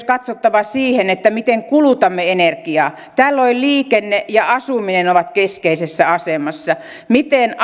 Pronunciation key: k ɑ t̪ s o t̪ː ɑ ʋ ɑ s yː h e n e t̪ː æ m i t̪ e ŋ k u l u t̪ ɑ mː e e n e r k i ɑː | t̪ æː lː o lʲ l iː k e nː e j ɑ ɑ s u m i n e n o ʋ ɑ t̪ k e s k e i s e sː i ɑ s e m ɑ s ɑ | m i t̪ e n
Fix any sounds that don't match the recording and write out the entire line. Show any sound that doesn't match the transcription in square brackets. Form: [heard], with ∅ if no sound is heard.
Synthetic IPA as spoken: k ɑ t̪ s o t̪ː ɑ ʋ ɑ s [iː] h e n e t̪ː æ m i t̪ e ŋ k u l u t̪ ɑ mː e e n e r k i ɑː | t̪ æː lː o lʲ l iː k e nː e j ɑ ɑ s u m i n e n o ʋ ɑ t̪ k e s k e i s e sː [æ] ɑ s e m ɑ [sː] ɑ | m i t̪ e n